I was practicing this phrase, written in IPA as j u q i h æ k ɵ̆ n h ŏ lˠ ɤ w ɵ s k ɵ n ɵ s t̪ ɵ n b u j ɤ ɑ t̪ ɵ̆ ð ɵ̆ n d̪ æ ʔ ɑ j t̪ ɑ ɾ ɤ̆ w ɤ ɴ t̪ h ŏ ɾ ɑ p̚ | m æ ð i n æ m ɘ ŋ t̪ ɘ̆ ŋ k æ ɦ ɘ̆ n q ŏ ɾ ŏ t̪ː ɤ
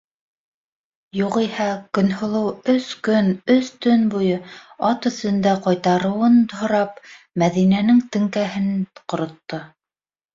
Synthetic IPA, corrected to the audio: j u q i h æ k ɵ̆ n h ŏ lˠ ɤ w ɵ s k ɵ n ɵ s t̪ ɵ n b u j ɤ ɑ t̪ ɵ̆ θ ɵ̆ n d̪ æ q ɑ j t̪ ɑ ɾ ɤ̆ w ɤ n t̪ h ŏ ɾ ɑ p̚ | m æ ð i n æ n ɘ ŋ t̪ ɘ̆ ŋ k æ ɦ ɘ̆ n q ŏ ɾ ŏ t̪ː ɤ